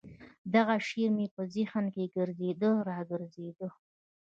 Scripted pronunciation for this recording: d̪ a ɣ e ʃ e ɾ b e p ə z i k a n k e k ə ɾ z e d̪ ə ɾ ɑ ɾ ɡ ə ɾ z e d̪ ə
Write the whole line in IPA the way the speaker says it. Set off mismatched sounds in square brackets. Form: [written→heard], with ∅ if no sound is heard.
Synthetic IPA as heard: d̪ a ɣ [e→a] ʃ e ɾ [b→m] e p ə z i [k→x] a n k e [k→ɡ] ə ɾ z e d̪ ə ɾ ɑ [ɾ→∅] ɡ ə ɾ z e d̪ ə